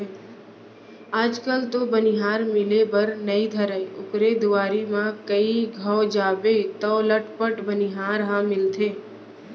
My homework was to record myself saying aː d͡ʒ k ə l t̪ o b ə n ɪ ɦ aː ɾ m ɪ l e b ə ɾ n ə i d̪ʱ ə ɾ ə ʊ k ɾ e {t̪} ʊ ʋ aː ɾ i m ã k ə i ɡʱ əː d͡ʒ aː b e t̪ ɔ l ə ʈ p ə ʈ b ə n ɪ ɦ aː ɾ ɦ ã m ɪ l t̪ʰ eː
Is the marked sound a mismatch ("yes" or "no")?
yes